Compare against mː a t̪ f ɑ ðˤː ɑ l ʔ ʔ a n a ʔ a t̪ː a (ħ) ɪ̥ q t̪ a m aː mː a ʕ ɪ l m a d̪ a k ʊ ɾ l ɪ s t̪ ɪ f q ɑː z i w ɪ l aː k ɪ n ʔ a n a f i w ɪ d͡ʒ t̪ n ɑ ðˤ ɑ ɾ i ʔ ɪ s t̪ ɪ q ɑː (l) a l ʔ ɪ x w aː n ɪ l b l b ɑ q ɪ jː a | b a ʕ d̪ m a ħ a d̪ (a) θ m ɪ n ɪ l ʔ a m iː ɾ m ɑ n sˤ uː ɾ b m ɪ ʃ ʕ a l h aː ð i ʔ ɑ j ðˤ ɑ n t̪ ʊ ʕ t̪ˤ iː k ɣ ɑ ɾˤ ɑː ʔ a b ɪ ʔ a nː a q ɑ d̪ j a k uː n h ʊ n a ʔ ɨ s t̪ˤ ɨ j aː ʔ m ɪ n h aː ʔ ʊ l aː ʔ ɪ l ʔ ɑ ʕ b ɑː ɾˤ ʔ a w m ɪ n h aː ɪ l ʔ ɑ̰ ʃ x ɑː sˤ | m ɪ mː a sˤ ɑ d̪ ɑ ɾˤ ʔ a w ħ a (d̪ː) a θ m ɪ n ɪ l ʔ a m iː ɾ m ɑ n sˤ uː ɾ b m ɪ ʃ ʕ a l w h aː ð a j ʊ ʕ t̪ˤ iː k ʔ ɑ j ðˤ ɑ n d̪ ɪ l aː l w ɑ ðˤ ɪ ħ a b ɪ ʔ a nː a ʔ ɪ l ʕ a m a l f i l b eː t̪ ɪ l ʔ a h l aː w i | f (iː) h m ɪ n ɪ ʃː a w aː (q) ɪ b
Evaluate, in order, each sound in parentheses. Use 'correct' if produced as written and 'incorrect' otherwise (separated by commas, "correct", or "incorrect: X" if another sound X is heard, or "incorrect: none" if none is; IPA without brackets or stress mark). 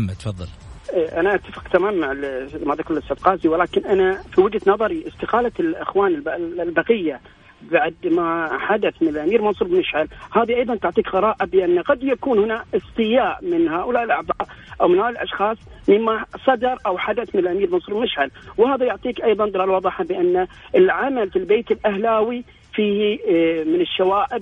incorrect: f, correct, correct, incorrect: d̪, correct, incorrect: ʔ